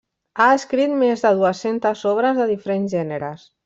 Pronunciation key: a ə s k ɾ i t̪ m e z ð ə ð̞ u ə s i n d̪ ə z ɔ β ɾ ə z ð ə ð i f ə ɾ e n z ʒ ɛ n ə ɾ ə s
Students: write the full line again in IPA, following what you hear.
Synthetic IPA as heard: a ə s k ɾ i t̪ m e z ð ə ð̞ u ə s e n t̪ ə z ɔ β ɾ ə z ð ə ð i f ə ɾ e n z ʒ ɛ n ə ɾ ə s

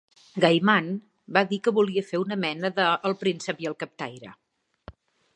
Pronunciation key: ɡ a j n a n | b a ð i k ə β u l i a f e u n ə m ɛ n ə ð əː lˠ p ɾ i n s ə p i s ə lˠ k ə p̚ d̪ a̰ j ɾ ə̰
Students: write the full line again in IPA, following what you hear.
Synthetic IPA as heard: ɡ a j m a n | b a ð i k ə β u l i ə f e u n ə m ɛ n ə ð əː lˠ p ɾ i n s ə p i ə lˠ k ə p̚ t̪ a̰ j ɾ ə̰

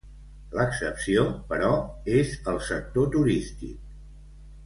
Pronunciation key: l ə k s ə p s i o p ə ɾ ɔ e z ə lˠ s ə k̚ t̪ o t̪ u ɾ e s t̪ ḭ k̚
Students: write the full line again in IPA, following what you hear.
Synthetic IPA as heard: l ə k s ə p s i o p ə ɾ ɔ e z ə lˠ s ə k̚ t̪ o t̪ u ɾ i s t̪ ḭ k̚

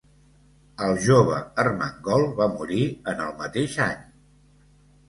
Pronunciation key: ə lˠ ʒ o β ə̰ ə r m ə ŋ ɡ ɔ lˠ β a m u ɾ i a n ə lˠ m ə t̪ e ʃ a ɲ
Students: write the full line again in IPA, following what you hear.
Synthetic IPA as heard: ə lˠ ʒ o β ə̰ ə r m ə ŋ ɡ ɔ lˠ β a m u ɾ i ə n ə lˠ m ə t̪ e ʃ a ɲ

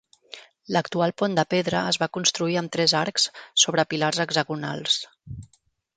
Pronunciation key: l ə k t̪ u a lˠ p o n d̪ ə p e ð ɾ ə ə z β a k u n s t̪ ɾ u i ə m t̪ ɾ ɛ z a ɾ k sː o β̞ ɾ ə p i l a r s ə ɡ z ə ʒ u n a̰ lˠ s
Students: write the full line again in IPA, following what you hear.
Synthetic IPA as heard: l ə k t̪ u a lˠ p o n d̪ ə p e ð ɾ ə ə z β a k u n s t̪ ɾ u i ə m t̪ ɾ ɛ z a ɾ k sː o β̞ ɾ ə p i l a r z ə ɡ z ə ɣ u n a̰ lˠ s

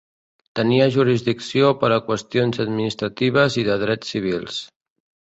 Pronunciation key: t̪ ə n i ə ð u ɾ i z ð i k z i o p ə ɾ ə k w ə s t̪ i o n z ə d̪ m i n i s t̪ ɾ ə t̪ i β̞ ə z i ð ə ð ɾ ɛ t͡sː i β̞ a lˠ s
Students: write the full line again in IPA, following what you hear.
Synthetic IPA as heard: t̪ ə n i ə ʒ u ɾ i z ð i k s i o p ə ɾ ə k w ə s t̪ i o n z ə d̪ m i n i s t̪ ɾ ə t̪ i β̞ ə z i ð ə ð ɾ ɛ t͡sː i β̞ i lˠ s

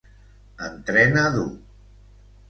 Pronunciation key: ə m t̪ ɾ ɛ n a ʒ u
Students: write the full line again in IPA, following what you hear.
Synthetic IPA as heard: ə n t̪ ɾ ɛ n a ð u

